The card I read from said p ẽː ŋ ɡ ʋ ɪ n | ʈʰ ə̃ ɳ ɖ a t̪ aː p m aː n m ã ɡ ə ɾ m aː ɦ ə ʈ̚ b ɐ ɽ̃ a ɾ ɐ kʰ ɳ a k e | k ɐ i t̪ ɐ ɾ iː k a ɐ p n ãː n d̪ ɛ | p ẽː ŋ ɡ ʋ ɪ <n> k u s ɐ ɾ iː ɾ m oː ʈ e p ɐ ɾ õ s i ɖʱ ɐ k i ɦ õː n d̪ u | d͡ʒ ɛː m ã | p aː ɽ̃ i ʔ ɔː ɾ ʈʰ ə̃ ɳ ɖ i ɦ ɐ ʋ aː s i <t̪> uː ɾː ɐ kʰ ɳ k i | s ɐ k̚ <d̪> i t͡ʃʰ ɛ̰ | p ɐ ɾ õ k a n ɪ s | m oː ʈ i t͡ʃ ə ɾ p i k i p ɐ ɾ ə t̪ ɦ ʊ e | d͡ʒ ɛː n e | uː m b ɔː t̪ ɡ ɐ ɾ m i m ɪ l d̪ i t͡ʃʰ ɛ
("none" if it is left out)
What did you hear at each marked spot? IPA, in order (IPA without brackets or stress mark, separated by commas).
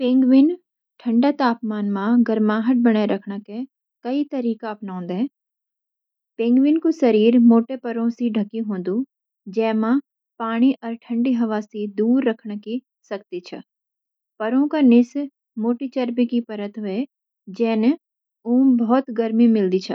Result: n, d̪, t̪